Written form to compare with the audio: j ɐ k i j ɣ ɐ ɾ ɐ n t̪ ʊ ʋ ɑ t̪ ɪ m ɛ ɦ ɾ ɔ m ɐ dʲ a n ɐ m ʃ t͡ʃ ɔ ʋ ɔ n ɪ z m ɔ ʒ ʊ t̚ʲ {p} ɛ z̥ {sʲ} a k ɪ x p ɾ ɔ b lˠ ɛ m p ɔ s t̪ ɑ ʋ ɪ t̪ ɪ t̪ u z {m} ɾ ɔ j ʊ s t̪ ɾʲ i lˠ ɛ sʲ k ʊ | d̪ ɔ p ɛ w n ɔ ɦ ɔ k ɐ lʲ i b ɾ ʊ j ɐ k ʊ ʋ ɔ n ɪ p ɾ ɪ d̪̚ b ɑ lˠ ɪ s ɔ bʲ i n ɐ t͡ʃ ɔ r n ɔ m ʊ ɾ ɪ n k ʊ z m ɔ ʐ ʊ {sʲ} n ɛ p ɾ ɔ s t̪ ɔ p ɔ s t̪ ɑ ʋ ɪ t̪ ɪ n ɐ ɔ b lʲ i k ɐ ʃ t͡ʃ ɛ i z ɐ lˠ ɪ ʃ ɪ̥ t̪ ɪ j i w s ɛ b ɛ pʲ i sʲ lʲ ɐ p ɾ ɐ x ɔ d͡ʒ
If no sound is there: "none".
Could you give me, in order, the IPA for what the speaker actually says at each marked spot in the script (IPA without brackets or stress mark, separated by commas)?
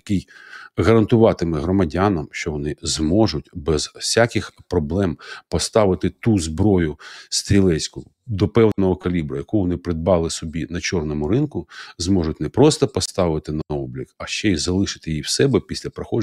b, sʲ, b, tʲ